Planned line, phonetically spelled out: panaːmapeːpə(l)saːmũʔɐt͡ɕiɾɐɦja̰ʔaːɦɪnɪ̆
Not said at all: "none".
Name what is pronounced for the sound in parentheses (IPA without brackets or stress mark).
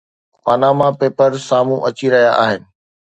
ɾ